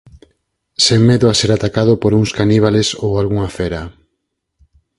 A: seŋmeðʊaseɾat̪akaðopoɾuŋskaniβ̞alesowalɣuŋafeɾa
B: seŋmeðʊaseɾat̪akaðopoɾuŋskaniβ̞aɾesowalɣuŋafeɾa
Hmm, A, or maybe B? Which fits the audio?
A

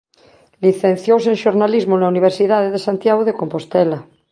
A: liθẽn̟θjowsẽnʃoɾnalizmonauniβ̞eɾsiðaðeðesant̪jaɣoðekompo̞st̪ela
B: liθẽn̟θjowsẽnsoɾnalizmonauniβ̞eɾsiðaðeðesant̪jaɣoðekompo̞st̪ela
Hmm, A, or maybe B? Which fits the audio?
A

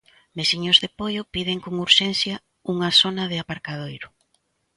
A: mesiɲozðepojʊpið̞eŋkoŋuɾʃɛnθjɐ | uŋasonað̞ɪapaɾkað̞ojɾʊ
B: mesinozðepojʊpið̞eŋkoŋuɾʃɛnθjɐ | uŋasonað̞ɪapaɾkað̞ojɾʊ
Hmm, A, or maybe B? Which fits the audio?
A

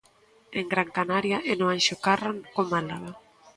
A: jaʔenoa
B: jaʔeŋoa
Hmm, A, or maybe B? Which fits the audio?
A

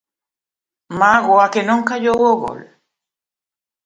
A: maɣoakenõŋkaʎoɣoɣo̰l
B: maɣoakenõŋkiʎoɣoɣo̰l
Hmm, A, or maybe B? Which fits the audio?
A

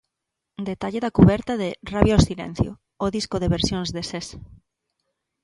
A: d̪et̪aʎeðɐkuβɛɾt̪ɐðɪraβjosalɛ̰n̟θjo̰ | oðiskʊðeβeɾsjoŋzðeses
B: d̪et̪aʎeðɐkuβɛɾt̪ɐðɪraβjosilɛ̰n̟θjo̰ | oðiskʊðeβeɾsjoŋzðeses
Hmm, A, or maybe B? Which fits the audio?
B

